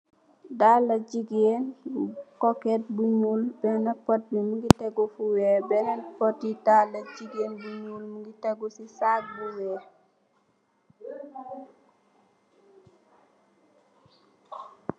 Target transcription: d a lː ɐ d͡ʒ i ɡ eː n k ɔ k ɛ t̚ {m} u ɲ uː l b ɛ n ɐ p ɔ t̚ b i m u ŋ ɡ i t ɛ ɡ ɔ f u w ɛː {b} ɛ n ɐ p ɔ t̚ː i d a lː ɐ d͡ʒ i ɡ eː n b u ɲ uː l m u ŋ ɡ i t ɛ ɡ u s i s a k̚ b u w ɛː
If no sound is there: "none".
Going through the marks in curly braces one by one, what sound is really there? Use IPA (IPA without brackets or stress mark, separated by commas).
b, b